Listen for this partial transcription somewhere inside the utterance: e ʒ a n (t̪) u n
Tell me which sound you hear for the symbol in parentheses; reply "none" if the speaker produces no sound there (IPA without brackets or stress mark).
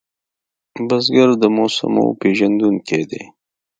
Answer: d̪